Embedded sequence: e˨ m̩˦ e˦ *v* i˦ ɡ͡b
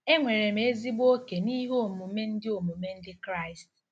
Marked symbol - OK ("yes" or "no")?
no